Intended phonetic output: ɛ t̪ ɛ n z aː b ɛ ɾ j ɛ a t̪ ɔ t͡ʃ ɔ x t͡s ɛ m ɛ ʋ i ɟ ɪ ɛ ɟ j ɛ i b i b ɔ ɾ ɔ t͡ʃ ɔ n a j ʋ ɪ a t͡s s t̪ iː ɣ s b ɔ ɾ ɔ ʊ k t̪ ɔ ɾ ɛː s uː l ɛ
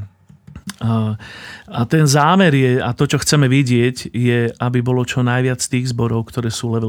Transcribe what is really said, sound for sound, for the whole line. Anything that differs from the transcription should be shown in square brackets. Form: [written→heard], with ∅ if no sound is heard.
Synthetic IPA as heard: [ɛ→a] t̪ ɛ n z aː [b→m] ɛ ɾ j ɛ a t̪ ɔ t͡ʃ ɔ x t͡s ɛ m ɛ ʋ i ɟ ɪ ɛ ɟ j ɛ [i→a] b i b ɔ [ɾ→l] ɔ t͡ʃ ɔ n a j ʋ ɪ a t͡s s t̪ iː ɣ [s→z] b ɔ ɾ ɔ ʊ k t̪ ɔ ɾ ɛː s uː l ɛ